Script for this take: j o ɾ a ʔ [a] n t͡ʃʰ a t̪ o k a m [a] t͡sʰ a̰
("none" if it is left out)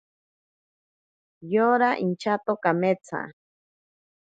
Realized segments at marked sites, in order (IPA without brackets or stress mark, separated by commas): i, e